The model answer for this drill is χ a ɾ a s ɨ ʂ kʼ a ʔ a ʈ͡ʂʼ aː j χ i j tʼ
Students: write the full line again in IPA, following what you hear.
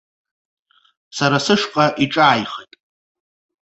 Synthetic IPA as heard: s a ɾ a s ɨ ʂ qʼ a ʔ i ʈ͡ʂʼ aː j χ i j tʼ